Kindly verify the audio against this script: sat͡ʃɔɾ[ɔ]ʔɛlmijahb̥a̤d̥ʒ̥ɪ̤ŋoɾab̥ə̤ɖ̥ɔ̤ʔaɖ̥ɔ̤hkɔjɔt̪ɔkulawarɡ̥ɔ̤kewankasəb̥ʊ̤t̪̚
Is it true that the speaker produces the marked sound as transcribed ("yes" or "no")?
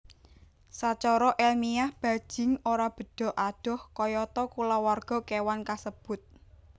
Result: yes